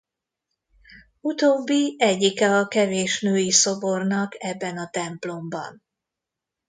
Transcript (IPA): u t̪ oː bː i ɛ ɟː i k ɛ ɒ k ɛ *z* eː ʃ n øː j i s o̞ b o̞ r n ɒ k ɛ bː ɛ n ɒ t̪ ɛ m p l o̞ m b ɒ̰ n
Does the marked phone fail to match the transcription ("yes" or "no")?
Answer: yes